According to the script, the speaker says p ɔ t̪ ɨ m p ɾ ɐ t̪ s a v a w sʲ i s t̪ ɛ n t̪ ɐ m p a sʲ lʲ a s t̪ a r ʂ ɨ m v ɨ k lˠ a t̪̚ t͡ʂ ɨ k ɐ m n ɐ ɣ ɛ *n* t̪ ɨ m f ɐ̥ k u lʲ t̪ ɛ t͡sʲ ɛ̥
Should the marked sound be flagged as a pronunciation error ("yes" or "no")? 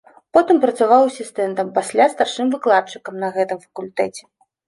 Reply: yes